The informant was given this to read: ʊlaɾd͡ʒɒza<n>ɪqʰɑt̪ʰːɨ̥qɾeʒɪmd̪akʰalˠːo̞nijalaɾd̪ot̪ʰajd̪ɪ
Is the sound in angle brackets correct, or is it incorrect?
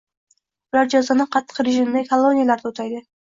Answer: correct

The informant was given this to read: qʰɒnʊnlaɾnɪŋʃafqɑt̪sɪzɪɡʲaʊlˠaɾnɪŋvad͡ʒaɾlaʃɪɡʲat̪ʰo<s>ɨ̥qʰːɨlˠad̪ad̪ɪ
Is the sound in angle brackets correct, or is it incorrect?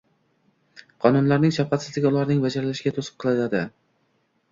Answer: correct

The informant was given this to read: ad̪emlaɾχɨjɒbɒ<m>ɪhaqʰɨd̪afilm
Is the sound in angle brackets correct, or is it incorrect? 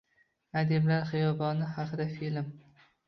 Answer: incorrect: n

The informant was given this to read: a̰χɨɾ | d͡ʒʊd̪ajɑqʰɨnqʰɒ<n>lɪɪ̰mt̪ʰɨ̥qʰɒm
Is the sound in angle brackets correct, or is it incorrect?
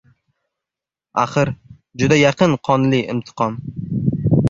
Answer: correct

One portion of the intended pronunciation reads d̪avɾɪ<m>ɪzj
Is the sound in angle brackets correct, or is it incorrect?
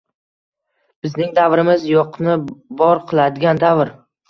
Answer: correct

